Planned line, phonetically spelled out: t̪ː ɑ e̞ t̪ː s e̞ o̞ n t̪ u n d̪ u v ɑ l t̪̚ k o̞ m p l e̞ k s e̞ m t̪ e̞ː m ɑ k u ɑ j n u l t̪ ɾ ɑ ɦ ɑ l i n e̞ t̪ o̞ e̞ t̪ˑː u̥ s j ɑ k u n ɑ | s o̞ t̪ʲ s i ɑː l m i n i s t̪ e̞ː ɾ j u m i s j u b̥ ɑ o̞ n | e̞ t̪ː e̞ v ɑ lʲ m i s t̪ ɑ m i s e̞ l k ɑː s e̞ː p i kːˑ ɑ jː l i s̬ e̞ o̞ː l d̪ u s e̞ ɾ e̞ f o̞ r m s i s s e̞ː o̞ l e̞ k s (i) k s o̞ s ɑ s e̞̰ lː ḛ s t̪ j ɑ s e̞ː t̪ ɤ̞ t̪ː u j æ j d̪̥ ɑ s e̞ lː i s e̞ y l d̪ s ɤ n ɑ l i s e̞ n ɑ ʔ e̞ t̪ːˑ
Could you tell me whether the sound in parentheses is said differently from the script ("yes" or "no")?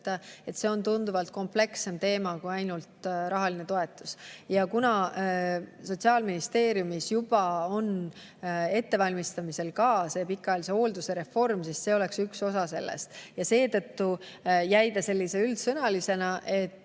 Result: yes